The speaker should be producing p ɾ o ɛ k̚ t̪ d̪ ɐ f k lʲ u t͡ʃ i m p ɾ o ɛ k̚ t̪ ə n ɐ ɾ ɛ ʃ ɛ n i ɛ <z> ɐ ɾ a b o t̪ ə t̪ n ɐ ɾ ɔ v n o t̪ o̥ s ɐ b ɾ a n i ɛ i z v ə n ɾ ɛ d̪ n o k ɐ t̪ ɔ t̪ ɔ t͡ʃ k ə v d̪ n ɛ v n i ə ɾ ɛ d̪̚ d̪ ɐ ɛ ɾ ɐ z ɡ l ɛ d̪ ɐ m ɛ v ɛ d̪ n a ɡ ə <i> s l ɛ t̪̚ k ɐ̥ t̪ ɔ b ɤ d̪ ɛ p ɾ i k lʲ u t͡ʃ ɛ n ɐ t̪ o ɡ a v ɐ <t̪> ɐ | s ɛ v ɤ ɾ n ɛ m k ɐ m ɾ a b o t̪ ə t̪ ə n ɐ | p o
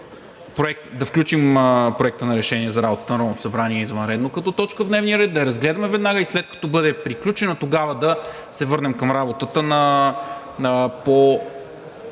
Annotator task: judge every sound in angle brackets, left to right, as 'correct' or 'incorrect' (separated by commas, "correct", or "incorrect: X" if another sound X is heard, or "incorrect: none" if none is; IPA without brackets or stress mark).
correct, correct, incorrect: d̪